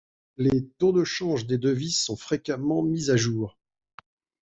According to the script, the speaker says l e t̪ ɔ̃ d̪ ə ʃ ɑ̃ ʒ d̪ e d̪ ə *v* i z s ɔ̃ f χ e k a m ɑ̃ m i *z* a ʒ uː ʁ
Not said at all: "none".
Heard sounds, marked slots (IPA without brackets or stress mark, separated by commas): v, z